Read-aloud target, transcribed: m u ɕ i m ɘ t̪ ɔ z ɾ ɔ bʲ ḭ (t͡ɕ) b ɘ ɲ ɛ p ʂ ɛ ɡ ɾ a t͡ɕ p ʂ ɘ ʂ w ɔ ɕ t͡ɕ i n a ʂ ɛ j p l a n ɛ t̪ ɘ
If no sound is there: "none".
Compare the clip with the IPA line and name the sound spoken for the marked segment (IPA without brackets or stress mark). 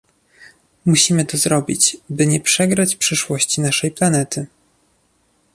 t͡ɕ